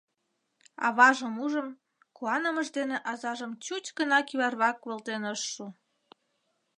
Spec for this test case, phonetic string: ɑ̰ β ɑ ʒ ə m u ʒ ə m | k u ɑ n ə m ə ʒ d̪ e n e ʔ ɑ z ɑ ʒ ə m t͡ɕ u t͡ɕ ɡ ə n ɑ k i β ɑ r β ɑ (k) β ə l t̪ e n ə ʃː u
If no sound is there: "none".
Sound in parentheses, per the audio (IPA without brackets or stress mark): k